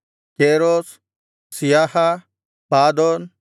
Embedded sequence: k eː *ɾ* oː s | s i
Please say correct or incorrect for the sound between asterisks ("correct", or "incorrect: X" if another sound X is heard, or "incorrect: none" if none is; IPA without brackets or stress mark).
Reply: correct